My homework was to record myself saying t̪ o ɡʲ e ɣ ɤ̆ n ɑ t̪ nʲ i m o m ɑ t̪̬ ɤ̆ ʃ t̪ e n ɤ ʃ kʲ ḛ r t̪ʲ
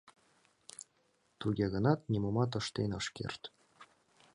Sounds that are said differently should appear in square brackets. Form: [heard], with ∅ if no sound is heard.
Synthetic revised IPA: t̪ [u] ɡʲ e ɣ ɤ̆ n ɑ t̪ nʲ i m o m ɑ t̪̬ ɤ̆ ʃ t̪ e n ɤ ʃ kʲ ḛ r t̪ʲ